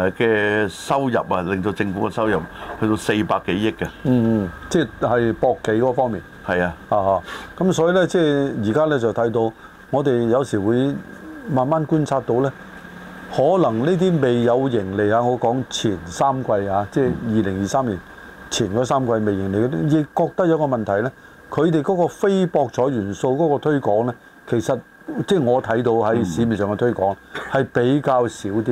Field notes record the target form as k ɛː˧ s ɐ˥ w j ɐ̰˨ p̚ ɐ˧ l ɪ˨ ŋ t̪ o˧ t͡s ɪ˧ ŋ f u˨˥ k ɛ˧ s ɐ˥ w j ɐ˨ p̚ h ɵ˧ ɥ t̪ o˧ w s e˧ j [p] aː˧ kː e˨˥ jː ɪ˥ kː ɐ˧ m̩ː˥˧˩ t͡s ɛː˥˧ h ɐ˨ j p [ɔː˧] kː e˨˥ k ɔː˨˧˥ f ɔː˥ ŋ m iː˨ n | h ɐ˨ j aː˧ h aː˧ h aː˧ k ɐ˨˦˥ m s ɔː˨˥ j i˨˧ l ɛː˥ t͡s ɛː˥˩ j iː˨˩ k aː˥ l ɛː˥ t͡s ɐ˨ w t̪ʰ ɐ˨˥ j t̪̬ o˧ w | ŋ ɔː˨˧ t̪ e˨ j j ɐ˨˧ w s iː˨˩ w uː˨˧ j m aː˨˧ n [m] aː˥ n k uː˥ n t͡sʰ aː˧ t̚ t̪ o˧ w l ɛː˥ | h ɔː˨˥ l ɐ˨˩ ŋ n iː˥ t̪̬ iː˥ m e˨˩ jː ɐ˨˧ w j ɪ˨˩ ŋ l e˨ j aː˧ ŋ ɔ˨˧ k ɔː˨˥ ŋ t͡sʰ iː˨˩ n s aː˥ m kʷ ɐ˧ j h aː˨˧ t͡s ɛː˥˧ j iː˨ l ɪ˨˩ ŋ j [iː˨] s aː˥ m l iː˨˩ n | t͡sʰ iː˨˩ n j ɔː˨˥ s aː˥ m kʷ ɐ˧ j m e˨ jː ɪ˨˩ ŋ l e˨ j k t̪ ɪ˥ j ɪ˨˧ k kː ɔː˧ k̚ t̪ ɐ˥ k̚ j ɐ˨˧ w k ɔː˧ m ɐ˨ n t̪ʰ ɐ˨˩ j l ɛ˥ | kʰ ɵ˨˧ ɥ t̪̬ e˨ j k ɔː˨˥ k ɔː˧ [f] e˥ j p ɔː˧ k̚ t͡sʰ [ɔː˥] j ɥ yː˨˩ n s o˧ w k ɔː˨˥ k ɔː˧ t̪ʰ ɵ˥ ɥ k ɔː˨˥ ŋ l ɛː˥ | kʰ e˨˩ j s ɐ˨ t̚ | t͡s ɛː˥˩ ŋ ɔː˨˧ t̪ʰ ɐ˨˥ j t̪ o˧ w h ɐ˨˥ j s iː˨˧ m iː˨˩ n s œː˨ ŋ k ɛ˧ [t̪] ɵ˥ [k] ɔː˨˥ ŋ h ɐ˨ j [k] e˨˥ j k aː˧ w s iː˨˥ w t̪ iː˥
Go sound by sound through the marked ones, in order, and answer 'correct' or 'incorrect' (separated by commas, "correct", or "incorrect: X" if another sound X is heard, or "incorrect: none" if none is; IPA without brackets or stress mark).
correct, correct, correct, correct, correct, incorrect: ɔː˨˥, incorrect: t̪ʰ, correct, incorrect: p